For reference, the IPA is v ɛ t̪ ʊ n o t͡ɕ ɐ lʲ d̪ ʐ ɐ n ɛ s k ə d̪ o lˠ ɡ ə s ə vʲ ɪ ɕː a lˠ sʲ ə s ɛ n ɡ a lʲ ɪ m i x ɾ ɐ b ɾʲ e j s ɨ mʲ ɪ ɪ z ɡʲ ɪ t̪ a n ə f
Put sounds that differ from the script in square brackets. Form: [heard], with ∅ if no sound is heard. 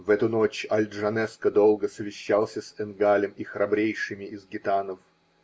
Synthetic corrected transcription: v ɛ t̪ ʊ n o t͡ɕ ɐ lʲ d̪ ʐ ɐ n ɛ s k ə d̪ o lˠ ɡ ə s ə vʲ ɪ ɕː a lˠ sʲ ə s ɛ n ɡ a lʲ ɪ m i x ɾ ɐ b ɾʲ e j [ʂ] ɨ mʲ ɪ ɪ z ɡʲ ɪ t̪ a n ə f